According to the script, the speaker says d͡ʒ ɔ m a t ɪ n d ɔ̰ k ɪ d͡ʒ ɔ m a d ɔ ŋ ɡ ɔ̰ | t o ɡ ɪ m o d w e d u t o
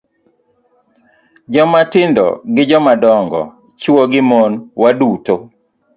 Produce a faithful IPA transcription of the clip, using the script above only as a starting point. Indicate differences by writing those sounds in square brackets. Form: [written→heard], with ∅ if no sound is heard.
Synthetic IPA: d͡ʒ ɔ m a t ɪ n d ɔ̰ [k→ɡ] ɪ d͡ʒ ɔ m a d ɔ ŋ ɡ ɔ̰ | [t→t͡ʃ] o ɡ ɪ m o [d→n] w [e→a] d u t o